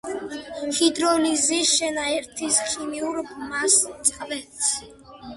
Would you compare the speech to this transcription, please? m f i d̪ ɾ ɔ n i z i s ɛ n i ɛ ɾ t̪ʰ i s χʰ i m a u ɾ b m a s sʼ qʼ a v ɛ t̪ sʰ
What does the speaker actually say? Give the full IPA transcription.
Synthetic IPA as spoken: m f i d̪ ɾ ɔ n i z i ʃ ɛ n a ɛ ɾ t̪ʰ i s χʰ i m i u ɾ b m a s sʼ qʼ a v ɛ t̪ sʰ